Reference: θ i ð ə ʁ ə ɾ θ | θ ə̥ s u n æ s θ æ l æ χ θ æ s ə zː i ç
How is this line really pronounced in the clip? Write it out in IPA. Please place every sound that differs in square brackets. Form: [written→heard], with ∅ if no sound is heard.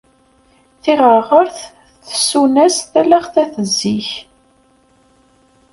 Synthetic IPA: θ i [ð→ʁ] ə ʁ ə ɾ θ | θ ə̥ s u n æ s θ æ l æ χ θ æ [s→θ] ə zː i ç